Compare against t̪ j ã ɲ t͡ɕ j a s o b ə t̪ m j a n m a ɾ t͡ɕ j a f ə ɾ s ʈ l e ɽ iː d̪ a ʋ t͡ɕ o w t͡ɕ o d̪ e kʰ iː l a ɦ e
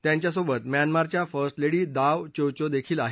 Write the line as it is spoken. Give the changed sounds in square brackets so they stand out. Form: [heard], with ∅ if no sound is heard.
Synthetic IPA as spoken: t̪ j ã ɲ t͡ɕ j a s o b ə t̪ m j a n m a ɾ t͡ɕ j a f ə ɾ s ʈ l e ɽ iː d̪ a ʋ t͡ɕ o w t͡ɕ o d̪ e kʰ iː l a ɦ e